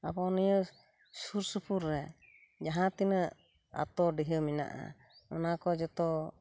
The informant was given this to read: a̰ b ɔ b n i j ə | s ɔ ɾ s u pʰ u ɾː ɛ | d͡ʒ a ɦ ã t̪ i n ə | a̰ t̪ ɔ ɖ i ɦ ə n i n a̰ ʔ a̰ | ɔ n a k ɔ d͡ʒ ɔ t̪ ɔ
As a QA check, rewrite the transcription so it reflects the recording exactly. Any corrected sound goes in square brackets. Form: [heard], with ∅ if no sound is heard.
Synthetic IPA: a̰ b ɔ [∅] n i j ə | s [u] ɾ s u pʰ u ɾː ɛ | d͡ʒ a ɦ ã t̪ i n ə | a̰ t̪ ɔ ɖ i ɦ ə [m] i n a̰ ʔ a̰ | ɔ n a k ɔ d͡ʒ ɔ t̪ ɔ